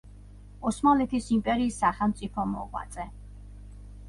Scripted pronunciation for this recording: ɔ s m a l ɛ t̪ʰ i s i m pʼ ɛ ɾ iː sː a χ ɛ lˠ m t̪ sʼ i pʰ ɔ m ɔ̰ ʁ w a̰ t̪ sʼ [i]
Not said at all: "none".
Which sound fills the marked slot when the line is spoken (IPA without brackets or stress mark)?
ɛ